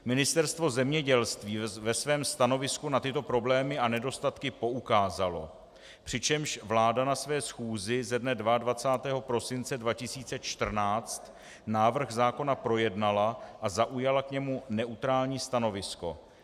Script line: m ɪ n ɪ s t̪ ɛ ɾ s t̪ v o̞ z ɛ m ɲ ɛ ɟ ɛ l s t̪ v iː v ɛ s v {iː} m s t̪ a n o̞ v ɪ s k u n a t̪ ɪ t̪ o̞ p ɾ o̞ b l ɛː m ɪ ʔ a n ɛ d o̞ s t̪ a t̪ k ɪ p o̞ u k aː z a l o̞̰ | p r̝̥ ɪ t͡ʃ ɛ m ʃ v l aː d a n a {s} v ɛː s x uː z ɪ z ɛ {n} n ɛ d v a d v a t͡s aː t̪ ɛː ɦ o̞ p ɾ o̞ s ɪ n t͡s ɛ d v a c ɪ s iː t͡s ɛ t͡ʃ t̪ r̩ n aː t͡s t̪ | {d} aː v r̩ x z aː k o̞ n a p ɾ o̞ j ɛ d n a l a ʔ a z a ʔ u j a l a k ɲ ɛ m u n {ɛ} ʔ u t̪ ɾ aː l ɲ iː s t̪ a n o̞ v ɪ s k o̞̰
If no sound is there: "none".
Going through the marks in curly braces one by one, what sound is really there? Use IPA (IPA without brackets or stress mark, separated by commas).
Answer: ɛː, s, d, n, ɛ